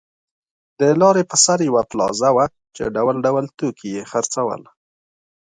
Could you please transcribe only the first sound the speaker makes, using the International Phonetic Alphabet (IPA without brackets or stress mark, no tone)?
d̪